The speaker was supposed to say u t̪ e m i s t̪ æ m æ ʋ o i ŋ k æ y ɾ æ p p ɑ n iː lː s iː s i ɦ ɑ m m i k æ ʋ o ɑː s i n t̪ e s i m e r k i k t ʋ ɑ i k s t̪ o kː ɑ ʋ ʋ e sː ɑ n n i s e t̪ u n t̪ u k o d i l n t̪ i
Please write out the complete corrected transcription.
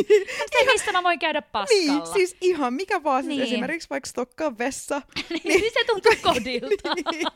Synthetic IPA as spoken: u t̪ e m i s t̪ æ m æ ʋ o i ŋ k æ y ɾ æ p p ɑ n iː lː s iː s i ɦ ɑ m m i k æ ʋ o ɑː s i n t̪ e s i m e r k i k s ʋ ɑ i k s t̪ o kː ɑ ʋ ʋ e sː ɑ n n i s e t̪ u n t̪ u k o d i l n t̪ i